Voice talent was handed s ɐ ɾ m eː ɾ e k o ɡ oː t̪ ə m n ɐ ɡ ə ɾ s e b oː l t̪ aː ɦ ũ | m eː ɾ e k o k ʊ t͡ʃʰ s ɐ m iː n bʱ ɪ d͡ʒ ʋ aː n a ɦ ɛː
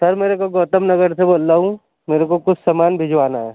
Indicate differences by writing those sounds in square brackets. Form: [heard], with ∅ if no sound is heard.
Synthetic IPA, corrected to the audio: s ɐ ɾ m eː ɾ e k o ɡ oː t̪ ə m n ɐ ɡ ə ɾ s e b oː l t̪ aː ɦ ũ | m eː ɾ e k o k ʊ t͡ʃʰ s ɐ m [aː] n bʱ ɪ d͡ʒ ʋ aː n a ɦ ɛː